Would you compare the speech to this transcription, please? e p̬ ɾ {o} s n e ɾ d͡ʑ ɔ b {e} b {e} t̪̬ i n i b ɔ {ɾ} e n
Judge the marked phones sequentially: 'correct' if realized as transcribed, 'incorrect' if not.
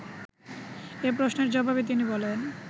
correct, incorrect: a, correct, incorrect: l

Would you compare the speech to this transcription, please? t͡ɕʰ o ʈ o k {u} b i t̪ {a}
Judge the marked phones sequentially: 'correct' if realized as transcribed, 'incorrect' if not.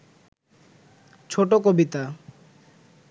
incorrect: o, correct

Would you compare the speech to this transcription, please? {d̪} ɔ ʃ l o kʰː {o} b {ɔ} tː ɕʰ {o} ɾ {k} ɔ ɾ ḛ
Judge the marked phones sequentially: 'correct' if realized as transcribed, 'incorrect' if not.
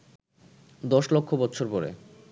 correct, correct, correct, correct, incorrect: p

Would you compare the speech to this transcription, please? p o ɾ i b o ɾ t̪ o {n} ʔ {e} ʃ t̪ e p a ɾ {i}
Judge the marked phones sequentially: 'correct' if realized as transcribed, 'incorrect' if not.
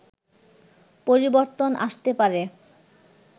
correct, incorrect: a, incorrect: e

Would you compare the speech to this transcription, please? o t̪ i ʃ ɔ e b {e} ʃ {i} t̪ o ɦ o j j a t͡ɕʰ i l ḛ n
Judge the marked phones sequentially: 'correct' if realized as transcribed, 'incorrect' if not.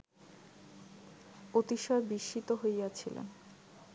incorrect: i, correct

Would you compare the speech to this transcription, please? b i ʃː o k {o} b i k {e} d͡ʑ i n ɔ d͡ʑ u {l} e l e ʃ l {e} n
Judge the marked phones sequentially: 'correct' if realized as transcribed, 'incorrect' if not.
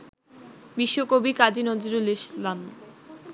correct, incorrect: a, incorrect: ɾ, incorrect: a

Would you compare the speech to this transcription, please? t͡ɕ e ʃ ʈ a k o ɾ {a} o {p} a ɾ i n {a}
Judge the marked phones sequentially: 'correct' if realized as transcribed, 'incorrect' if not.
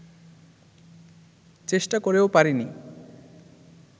incorrect: e, correct, incorrect: i

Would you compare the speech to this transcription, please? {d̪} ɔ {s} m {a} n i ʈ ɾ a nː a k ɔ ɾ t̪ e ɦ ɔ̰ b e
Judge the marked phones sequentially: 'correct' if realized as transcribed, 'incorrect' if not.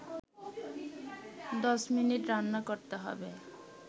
correct, correct, incorrect: i

